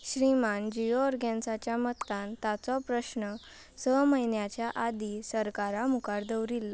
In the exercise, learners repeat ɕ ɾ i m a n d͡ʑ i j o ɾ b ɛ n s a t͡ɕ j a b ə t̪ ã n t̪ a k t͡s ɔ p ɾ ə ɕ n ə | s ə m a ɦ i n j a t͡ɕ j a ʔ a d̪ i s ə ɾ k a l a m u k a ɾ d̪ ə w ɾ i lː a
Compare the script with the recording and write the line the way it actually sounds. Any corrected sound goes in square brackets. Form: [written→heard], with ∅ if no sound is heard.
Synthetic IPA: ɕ ɾ i m a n d͡ʑ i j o ɾ [b→ɡ] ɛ n s a t͡ɕ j a [b→m] ə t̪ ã n t̪ a [k→∅] t͡s ɔ p ɾ ə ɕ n ə | s ə m [a→ə] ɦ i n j a t͡ɕ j a ʔ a d̪ i s ə ɾ k a [l→ɾ] a m u k a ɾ d̪ ə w ɾ i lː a